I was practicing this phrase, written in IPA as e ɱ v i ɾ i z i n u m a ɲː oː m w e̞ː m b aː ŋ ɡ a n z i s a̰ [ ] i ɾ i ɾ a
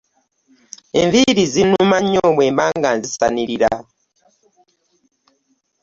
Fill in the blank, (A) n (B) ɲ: A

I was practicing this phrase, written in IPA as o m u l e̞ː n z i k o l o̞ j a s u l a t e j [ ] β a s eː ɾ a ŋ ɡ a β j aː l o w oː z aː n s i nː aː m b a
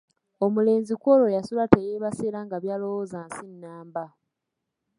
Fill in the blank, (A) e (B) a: A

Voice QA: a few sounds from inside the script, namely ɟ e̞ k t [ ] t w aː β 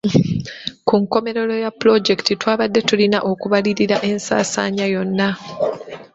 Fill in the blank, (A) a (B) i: B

